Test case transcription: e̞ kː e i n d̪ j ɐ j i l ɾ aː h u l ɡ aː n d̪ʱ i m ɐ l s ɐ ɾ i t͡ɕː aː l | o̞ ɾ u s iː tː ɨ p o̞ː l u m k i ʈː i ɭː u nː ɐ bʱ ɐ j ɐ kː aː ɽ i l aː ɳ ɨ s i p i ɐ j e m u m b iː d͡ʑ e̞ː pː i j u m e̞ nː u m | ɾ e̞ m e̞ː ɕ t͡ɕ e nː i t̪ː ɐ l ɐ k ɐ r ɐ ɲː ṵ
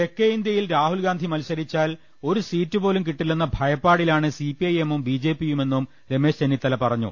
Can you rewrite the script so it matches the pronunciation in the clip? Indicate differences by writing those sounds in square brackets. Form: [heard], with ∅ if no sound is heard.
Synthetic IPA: e̞ kː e i n d̪ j ɐ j i l ɾ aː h u l ɡ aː n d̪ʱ i m ɐ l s ɐ ɾ i t͡ɕː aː l | o̞ ɾ u s iː tː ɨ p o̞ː l u m k i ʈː i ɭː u nː ɐ bʱ ɐ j ɐ [pː] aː ɽ i l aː ɳ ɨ s i p i ɐ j e m u m b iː d͡ʑ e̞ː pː i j u m e̞ nː u m | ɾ e̞ m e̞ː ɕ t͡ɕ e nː i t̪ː ɐ l ɐ [p] ɐ r ɐ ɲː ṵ